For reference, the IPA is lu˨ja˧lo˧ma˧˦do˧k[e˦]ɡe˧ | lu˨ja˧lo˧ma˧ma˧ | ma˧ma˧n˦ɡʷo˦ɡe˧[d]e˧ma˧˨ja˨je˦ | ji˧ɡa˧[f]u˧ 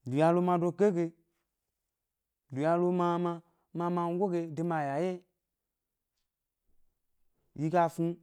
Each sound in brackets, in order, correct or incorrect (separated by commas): correct, correct, correct